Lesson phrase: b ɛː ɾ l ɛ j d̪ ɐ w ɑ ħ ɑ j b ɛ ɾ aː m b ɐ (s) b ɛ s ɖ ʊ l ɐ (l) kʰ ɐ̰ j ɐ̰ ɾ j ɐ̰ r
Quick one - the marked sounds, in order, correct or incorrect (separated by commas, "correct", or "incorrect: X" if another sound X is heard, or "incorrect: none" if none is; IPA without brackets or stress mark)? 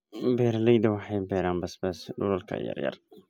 correct, correct